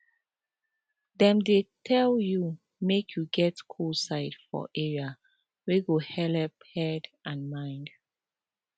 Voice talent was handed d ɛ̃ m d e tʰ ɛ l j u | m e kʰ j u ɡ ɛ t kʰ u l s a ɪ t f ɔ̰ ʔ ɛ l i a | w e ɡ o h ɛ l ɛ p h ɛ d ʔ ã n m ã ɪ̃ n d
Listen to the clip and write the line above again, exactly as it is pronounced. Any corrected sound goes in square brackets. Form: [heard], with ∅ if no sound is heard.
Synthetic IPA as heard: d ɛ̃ m d e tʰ ɛ l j u | m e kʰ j u ɡ ɛ t kʰ u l s a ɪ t f ɔ̰ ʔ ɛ [ɹ] i a | w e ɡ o h ɛ l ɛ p h ɛ d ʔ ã n m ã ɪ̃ n d

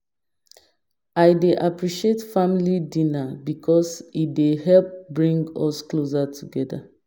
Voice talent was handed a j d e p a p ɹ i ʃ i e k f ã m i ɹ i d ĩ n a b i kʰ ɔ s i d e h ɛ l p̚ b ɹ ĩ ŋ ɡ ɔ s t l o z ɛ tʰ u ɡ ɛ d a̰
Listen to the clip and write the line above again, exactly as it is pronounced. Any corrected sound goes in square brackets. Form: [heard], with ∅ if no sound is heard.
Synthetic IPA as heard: a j d e [ʔ] a p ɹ i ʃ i e [t] f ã m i [l] i d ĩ n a b i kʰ ɔ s i d e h ɛ l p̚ b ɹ ĩ ŋ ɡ ɔ s [k] l o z [a] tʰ u ɡ ɛ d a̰

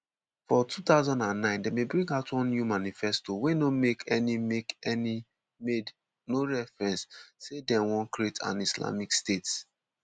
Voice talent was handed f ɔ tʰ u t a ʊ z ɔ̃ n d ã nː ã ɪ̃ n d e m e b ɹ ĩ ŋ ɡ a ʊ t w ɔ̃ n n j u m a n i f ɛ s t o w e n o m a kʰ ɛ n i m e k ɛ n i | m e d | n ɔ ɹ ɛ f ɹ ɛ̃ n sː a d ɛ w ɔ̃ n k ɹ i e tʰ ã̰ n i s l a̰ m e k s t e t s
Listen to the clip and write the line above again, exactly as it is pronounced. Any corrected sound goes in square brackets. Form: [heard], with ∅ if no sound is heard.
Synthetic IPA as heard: f ɔ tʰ u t a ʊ z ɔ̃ n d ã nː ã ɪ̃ n d e m e b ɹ ĩ ŋ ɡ a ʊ t w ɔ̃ n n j u m a n i f ɛ s t o w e n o m [e] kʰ ɛ n i m e k ɛ n i | m e d | n [o] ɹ ɛ f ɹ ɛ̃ n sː [e] d ɛ w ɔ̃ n k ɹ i e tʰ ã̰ n i s l a̰ m [i] k s t e t s

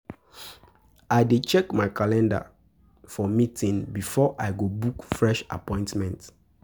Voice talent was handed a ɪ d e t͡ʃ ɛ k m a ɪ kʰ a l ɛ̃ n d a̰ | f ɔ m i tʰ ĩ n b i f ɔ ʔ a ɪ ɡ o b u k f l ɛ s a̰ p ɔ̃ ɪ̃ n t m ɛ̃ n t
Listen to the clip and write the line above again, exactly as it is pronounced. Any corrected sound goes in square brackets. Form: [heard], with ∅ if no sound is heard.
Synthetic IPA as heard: a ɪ d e t͡ʃ ɛ k m a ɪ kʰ a l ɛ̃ n d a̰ | f ɔ m i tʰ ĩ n b i f ɔ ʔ a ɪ ɡ o b u k f [ɹ] ɛ [ʃ] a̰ p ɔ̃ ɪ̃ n t m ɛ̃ n t

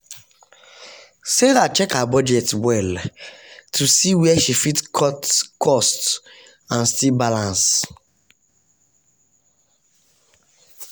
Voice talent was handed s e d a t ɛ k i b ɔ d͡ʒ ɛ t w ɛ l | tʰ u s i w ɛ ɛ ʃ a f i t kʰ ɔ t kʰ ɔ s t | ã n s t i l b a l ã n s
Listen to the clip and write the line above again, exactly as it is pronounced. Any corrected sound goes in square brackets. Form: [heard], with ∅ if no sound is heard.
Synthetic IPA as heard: s e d a [t͡ʃ] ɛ k [a] b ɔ d͡ʒ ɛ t w ɛ l | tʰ u s i w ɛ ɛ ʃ [i] f i t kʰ ɔ t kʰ ɔ s t | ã n s t i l b a l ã n s

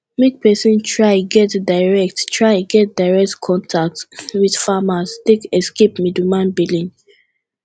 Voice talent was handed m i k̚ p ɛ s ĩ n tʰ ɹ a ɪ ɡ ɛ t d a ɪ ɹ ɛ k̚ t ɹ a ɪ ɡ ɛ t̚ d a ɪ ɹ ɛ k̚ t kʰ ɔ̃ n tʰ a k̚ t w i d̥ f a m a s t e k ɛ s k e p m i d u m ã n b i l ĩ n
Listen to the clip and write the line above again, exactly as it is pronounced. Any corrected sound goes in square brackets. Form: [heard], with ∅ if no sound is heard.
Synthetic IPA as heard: m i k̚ p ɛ s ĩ n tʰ ɹ a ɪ ɡ ɛ t d a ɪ ɹ ɛ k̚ t ɹ a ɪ ɡ ɛ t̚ d a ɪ ɹ ɛ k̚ t kʰ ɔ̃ n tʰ a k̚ t w i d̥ f a m a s t e k ɛ s k e p m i d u m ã n b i l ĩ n

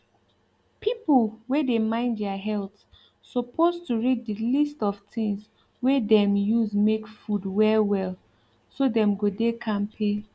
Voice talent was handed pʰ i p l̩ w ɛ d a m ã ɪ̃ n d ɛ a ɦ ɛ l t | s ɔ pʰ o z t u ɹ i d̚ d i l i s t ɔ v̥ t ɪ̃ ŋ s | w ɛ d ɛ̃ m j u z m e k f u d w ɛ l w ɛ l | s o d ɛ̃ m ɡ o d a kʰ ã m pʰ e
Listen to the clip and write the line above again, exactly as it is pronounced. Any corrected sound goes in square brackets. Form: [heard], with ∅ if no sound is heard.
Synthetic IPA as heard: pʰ i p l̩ w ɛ d [e] m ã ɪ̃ n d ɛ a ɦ ɛ l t | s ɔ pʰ o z t u ɹ i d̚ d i l i s t ɔ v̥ t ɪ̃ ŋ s | w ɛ d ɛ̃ m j u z m e k f u d w ɛ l w ɛ l | s o d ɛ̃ m ɡ o d [e] kʰ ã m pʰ e

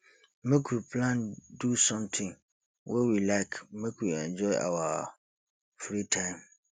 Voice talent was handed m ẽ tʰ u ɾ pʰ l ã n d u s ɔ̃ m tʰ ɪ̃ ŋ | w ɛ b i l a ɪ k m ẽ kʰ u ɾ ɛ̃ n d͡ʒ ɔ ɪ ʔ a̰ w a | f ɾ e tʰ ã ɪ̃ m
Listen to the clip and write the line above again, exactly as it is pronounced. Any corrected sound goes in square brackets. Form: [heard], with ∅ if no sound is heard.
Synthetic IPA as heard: m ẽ [kʰ] u ɾ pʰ l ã n d u s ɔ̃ m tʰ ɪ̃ ŋ | w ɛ [w] i l a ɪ k m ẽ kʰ u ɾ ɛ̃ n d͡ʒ ɔ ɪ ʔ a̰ w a | f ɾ [i] tʰ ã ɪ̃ m

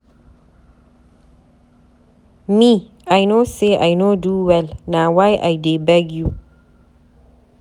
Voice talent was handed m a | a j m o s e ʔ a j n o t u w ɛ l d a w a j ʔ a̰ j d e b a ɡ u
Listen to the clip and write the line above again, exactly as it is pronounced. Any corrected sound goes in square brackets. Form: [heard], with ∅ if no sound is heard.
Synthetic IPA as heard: m [i] | a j [n] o s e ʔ a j n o [d] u w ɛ l [n] a w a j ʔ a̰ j d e b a ɡ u

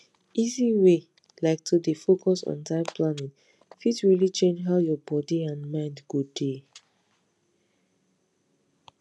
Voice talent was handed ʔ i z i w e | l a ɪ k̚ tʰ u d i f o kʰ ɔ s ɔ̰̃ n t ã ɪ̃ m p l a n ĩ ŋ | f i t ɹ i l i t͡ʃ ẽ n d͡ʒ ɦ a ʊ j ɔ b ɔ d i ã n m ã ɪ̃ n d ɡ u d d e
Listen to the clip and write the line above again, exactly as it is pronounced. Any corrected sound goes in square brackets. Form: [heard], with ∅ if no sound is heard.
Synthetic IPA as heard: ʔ i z i w e | l a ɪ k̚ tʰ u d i f o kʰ ɔ s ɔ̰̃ n t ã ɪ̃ m p l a n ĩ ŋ | f i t ɹ i l i t͡ʃ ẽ n d͡ʒ ɦ a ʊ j ɔ b ɔ d i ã n m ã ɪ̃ n d ɡ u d d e

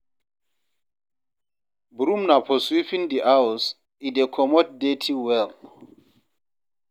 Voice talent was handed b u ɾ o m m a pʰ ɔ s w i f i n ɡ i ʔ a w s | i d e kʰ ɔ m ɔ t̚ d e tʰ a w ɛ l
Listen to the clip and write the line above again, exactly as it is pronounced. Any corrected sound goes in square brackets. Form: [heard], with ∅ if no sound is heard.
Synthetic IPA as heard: b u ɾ [u] m [n] a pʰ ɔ s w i f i n [d] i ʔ a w s | i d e kʰ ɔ m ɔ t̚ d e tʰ [i] w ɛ l

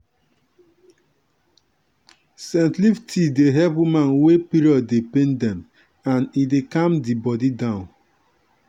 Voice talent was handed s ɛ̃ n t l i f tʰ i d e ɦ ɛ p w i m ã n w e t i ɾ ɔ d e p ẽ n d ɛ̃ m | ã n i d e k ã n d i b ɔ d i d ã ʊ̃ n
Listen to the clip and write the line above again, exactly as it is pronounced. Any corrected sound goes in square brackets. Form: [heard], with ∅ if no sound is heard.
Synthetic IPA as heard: s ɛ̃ n t l i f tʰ i d e ɦ ɛ p w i m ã n w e [p] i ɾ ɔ d e p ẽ n d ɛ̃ m | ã n i d e k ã [m] d i b ɔ d i d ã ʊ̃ n

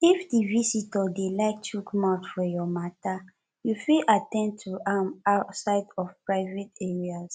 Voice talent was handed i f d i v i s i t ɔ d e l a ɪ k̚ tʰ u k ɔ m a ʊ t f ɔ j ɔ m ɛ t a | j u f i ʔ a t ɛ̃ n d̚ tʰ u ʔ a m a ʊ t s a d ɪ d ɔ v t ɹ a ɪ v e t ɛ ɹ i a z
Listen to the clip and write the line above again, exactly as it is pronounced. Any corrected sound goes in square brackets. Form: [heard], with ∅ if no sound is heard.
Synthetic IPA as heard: i f d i v i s i t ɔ d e l a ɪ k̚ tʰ u k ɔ m a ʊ t f ɔ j ɔ m [a] t a | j u f i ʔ a t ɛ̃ n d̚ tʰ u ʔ a m a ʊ t s a [∅] ɪ d ɔ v [p] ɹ a ɪ v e t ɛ ɹ i a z

